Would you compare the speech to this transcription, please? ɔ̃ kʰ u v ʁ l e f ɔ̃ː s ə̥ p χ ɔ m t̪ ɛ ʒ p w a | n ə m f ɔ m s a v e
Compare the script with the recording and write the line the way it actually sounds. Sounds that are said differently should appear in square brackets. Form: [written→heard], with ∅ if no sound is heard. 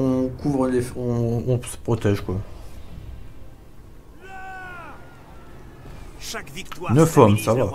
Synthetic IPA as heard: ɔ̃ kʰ u v ʁ l e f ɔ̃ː s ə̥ p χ ɔ [m→∅] t̪ ɛ ʒ [p→k] w a | n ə [m→∅] f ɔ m s a v [e→a]